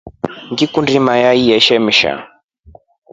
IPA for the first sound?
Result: ŋ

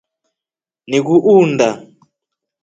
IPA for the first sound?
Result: n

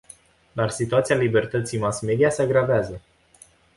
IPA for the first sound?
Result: d̪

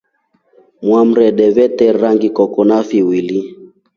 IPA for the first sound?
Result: m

